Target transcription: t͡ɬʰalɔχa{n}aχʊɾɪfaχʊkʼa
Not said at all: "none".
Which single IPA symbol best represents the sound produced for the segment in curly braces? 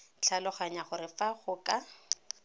ɲ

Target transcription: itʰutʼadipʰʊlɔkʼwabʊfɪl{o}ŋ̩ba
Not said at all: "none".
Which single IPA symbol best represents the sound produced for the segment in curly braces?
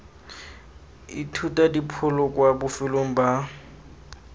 o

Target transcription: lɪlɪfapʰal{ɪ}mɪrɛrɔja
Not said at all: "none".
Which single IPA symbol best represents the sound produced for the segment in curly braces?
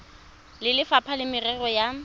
ɪ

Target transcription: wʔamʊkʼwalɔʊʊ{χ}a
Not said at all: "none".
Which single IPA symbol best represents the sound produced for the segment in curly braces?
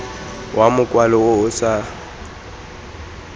s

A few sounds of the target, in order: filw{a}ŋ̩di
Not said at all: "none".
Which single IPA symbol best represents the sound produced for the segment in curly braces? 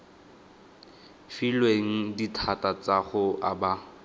e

